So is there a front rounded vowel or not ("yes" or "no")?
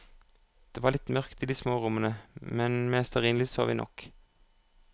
yes